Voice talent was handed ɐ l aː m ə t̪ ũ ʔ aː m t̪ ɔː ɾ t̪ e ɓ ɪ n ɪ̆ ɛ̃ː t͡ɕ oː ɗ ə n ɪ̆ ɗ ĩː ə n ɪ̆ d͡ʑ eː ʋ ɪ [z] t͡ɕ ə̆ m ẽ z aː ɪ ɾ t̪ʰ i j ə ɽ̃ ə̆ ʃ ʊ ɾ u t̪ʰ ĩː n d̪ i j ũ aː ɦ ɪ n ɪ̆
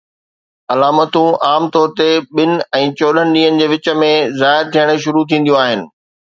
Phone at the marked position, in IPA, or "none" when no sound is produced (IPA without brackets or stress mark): none